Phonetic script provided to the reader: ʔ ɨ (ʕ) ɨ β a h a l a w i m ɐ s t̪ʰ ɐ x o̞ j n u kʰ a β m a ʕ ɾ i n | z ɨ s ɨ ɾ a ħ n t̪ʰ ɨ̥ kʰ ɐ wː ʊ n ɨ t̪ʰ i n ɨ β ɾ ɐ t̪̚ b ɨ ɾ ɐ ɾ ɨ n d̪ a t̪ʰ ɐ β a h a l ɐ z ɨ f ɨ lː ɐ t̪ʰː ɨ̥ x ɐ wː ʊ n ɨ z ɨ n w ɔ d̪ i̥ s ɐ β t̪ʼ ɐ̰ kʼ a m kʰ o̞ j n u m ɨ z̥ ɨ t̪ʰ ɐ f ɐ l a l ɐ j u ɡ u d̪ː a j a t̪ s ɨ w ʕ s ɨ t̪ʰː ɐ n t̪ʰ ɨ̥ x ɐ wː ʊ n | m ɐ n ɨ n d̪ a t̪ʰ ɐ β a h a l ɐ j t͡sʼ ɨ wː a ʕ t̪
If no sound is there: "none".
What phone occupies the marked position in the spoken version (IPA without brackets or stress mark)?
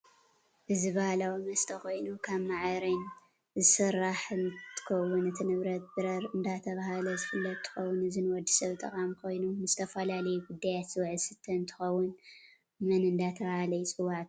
z